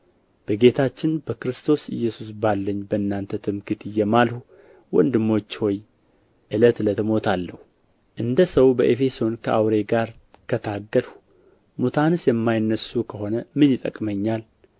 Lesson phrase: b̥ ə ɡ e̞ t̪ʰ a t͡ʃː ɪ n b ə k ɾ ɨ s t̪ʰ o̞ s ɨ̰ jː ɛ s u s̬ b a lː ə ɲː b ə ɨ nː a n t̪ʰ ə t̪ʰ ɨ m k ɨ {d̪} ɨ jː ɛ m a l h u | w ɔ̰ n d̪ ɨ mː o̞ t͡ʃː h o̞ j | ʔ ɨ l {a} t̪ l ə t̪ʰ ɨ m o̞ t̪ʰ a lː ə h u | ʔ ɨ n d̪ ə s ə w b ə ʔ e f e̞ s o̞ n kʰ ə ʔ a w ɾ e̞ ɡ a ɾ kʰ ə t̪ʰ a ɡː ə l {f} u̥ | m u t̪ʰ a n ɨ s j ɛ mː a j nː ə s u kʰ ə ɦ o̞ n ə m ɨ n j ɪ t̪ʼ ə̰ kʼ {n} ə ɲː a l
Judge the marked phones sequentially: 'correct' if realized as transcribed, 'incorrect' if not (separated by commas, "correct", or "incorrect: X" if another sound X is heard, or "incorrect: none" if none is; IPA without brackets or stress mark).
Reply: incorrect: t̪, incorrect: ə, incorrect: h, incorrect: m